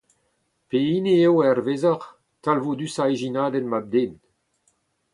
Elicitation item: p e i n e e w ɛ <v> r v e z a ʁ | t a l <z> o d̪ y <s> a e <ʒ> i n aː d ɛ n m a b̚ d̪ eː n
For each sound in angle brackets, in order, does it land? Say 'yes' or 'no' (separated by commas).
no, no, yes, yes